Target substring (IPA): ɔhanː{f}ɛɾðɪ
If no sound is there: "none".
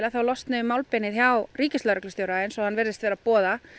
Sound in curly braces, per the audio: v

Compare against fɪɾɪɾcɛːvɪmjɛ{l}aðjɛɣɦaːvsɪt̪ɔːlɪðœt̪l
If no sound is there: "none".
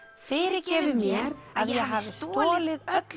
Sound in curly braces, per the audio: ɾ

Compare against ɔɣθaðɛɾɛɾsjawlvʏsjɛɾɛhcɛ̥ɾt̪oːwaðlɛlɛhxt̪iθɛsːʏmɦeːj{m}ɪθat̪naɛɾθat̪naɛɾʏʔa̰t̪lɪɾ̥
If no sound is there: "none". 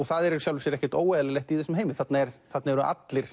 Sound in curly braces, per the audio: m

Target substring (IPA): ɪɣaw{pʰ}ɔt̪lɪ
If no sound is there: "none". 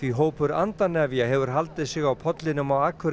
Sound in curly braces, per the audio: pʰ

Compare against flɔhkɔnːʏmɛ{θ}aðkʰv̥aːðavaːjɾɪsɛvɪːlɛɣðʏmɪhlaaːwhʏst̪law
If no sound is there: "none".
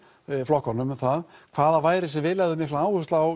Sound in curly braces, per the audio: θ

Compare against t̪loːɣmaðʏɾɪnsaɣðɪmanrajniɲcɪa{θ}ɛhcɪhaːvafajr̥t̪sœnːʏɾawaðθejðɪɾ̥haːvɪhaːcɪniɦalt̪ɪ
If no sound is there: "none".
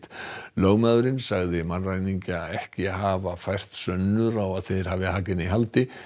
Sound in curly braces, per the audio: ð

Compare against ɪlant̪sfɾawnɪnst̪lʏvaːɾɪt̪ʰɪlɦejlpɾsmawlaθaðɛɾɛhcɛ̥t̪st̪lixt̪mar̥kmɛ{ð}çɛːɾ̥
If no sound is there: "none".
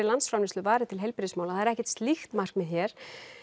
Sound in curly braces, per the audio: ð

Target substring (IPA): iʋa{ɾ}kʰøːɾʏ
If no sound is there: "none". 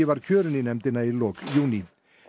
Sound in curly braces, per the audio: ɾ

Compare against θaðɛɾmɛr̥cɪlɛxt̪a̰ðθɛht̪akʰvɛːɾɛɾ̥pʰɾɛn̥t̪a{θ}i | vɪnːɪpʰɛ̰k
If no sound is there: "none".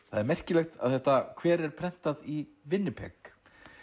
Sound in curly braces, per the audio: ð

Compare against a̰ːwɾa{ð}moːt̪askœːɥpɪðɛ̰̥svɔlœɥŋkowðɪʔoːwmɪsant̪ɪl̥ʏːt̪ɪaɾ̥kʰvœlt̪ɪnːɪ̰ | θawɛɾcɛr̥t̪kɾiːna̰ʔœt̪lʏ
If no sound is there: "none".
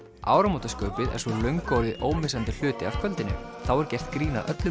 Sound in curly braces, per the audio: none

